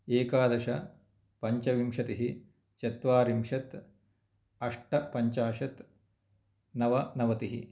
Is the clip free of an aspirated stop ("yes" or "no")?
yes